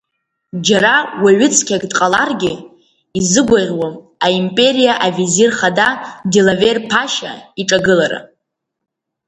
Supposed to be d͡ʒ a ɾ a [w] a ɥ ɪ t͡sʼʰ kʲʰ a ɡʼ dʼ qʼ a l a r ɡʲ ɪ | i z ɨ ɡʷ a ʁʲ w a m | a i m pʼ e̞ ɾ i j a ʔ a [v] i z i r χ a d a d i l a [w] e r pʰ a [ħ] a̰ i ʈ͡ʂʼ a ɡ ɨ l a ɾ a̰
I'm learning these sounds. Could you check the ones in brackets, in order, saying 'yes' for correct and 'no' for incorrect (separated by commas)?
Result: yes, yes, no, no